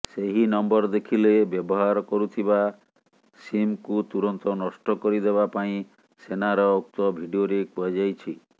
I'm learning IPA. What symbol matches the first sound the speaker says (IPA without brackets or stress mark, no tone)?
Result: s